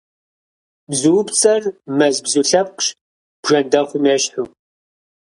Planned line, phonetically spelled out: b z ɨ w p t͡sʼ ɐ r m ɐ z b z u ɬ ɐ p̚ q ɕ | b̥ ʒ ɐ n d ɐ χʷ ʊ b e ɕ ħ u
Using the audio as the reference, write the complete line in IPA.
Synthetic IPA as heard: b z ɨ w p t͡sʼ ɐ r m ɐ z b z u ɬ ɐ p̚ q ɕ | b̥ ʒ ɐ n d ɐ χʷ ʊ m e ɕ ħ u